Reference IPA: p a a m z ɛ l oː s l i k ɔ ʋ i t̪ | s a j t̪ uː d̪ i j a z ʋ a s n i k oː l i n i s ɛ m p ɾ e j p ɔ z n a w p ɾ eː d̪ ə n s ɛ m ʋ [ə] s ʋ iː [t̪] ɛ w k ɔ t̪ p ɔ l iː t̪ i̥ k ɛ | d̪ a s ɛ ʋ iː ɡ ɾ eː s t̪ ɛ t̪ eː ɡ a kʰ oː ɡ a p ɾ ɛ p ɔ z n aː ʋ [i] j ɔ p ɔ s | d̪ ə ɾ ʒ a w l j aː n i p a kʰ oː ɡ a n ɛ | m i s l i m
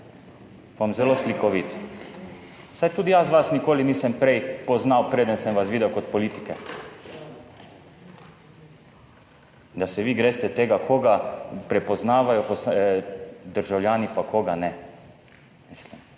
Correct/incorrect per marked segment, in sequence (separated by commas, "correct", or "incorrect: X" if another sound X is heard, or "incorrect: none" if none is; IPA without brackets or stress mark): incorrect: a, incorrect: d̪, incorrect: a